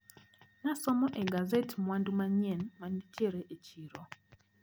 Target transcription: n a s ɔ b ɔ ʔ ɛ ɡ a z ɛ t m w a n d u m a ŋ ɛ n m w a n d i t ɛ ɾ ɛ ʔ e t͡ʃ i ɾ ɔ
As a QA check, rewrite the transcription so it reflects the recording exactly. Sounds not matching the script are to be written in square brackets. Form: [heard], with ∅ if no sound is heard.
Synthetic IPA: n a s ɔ [m] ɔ ʔ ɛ ɡ a z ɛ t m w a n d u m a [ɲ] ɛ n m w a n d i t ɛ ɾ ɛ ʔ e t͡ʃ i ɾ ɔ